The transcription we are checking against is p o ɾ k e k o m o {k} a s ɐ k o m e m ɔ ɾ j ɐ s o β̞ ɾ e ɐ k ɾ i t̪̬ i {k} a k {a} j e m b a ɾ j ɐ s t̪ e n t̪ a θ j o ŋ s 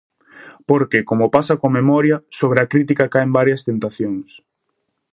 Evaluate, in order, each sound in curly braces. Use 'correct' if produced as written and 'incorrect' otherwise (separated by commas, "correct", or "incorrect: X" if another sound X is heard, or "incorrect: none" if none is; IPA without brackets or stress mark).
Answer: incorrect: p, correct, correct